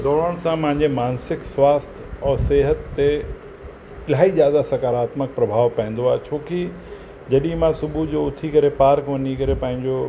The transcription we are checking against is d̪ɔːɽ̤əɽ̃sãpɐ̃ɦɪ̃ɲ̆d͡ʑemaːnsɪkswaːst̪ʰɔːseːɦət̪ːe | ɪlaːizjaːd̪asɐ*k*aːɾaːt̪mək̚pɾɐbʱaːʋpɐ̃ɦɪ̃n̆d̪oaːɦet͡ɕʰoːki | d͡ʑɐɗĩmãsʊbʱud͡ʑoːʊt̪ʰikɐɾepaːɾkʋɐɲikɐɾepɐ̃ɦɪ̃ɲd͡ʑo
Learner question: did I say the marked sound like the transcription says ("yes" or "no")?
yes